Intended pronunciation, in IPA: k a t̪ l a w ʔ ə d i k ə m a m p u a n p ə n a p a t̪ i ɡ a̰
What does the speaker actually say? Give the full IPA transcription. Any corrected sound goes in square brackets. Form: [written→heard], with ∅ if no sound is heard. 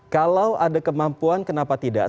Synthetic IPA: k a [t̪→∅] l a w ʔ [ə→a] d [i→a] k ə m a m p u a n [p→k] ə n a p a t̪ i [ɡ→d] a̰